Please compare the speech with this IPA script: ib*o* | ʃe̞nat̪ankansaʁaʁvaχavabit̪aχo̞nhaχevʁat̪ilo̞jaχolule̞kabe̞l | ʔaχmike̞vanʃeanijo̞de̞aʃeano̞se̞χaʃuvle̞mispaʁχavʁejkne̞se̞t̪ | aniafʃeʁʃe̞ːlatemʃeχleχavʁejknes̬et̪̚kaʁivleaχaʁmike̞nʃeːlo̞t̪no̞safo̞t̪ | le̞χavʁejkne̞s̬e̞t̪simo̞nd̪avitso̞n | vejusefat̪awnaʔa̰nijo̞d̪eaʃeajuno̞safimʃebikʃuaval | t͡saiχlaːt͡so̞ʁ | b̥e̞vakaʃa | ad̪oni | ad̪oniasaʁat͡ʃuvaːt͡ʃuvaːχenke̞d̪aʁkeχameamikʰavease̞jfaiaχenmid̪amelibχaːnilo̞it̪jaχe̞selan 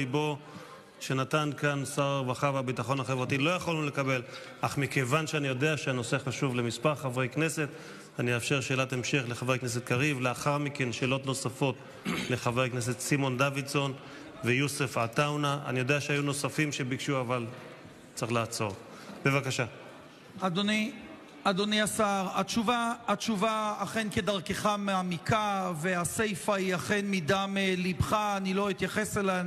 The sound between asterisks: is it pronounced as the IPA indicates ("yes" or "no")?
yes